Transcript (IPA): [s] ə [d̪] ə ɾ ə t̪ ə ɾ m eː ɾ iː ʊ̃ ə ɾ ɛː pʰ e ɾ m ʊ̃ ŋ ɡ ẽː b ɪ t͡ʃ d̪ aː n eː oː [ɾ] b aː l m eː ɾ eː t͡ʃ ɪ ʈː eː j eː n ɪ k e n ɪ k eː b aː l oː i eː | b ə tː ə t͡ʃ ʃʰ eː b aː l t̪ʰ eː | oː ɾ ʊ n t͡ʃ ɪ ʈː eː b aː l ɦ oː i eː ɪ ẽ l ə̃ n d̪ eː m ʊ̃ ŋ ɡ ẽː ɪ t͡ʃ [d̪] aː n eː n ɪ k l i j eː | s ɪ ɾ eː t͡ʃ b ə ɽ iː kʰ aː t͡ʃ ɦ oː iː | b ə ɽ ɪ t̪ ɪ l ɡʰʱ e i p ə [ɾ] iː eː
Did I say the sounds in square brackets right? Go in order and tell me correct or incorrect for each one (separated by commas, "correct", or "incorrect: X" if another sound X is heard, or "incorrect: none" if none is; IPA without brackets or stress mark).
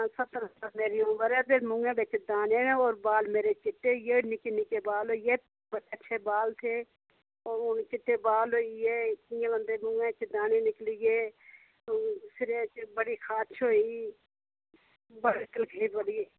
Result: correct, incorrect: t̪, correct, correct, incorrect: ɽ